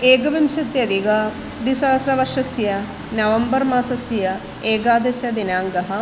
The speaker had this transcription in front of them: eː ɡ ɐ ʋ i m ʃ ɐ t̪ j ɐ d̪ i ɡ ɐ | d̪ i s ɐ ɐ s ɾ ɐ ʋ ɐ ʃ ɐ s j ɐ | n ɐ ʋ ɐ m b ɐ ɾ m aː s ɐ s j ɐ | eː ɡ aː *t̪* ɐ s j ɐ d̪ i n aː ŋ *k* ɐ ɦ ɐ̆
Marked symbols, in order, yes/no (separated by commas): no, no